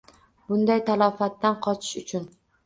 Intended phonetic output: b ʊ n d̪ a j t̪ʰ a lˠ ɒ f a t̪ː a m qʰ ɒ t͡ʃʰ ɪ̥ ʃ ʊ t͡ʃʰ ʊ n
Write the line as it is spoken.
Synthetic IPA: b ʊ n d̪ a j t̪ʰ a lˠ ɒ f a t̪ː a n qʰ ɒ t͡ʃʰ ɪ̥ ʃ ʊ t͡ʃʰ ʊ n